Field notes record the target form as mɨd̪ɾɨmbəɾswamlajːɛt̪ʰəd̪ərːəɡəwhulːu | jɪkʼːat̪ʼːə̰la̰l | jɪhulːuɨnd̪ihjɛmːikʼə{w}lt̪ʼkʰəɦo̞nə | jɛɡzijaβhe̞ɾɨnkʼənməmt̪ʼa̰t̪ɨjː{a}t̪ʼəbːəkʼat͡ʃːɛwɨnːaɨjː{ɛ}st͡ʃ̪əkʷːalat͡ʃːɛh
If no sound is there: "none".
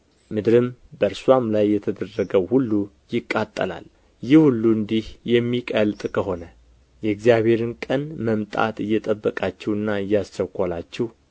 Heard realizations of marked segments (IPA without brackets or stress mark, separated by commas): none, ɛ, a